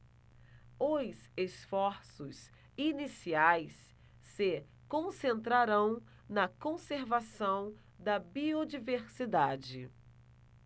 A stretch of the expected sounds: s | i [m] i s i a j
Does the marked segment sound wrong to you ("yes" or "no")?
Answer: yes